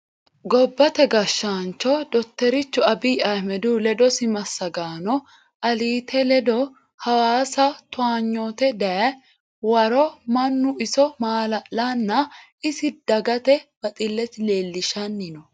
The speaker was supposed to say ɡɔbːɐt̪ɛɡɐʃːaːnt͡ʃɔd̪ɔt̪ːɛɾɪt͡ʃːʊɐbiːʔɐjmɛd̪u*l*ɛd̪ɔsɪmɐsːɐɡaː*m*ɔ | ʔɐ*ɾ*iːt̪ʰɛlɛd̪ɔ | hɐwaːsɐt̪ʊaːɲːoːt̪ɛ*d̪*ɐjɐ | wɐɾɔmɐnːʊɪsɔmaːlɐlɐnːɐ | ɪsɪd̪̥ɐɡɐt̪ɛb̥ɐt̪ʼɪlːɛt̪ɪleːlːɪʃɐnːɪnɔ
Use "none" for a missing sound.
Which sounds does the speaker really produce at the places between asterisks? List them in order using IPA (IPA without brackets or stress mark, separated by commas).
l, n, l, d̪